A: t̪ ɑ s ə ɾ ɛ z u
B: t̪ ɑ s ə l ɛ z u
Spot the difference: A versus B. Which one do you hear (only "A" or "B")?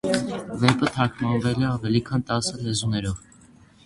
B